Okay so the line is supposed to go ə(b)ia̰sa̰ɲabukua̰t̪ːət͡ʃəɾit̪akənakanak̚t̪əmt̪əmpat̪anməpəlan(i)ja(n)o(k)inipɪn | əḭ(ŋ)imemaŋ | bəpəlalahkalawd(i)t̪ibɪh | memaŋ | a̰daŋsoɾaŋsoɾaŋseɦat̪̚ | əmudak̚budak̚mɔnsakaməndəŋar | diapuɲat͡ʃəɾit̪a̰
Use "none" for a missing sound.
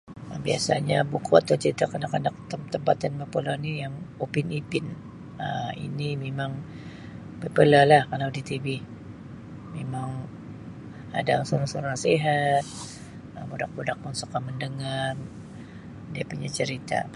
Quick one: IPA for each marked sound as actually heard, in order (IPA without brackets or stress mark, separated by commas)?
b, i, ŋ, p, n, i